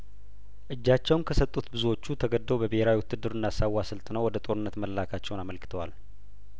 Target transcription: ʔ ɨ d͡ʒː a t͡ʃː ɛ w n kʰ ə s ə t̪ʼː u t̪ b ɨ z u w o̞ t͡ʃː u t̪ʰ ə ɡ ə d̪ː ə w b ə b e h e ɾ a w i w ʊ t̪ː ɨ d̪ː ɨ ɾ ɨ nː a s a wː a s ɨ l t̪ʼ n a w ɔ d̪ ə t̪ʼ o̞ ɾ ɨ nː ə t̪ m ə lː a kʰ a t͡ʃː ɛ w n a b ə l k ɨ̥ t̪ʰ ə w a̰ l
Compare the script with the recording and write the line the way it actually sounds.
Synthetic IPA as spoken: ʔ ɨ d͡ʒː a t͡ʃː ɛ w n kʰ ə s ə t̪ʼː u t̪ b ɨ z u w o̞ t͡ʃː u t̪ʰ ə ɡ ə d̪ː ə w b ə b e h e ɾ a w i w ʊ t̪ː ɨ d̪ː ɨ ɾ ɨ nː a s a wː a s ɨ l t̪ʼ n ə w ɔ d̪ ə t̪ʼ o̞ ɾ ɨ nː ə t̪ m ə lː a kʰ a t͡ʃː ɛ w n a m ə l k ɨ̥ t̪ʰ ə w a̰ l